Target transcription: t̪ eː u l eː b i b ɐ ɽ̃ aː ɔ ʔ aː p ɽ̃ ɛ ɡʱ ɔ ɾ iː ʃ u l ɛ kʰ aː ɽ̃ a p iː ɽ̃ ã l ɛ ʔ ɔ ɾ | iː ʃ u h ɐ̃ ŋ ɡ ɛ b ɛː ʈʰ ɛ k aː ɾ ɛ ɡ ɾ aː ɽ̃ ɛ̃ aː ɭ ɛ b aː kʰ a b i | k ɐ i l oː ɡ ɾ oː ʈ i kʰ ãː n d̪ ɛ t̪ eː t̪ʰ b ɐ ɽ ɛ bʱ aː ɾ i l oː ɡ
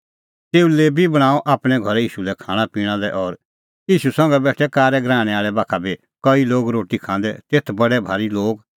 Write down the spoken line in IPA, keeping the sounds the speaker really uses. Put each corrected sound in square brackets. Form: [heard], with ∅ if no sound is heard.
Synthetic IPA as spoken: t̪ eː u l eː b i b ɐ ɽ̃ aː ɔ ʔ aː p ɽ̃ ɛ ɡʱ ɔ ɾ iː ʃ u l ɛ kʰ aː ɽ̃ a p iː ɽ̃ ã l ɛ ʔ ɔ ɾ | iː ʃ u [s] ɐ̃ ŋ ɡ ɛ b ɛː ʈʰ ɛ k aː ɾ ɛ ɡ ɾ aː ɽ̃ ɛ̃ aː ɭ ɛ b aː kʰ a b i | k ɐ i l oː ɡ ɾ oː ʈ i kʰ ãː n d̪ ɛ t̪ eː t̪ʰ b ɐ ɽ ɛ bʱ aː ɾ i l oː ɡ